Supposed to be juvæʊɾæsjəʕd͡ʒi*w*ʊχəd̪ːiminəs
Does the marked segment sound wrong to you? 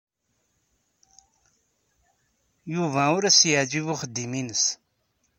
yes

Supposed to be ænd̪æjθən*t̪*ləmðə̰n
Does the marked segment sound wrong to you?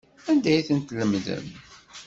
no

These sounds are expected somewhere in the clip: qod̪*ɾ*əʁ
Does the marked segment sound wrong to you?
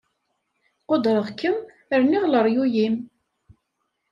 no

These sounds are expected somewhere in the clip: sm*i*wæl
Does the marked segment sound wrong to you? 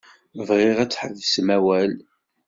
yes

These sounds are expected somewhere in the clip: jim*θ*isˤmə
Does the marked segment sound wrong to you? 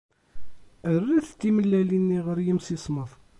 yes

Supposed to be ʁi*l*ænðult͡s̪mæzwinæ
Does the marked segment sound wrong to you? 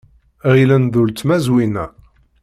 no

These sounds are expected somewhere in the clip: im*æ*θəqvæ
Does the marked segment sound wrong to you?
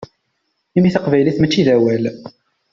yes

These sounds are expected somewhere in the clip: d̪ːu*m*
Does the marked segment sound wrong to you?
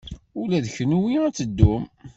no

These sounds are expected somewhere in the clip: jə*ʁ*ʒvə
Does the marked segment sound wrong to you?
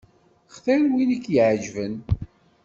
yes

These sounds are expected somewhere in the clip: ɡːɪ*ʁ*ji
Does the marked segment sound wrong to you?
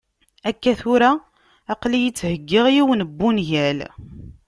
no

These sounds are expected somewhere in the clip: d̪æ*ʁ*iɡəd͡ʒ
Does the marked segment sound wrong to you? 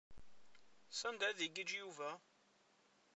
yes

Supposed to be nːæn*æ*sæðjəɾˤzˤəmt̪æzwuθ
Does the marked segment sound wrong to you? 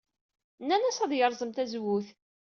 no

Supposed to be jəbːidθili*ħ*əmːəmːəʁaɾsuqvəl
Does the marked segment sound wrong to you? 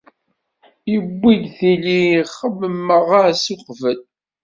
yes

